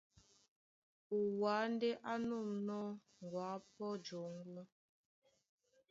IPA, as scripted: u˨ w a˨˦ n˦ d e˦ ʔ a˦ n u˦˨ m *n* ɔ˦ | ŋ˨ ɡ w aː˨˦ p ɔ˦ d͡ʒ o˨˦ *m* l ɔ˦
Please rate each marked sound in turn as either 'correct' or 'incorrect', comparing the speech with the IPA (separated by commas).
correct, incorrect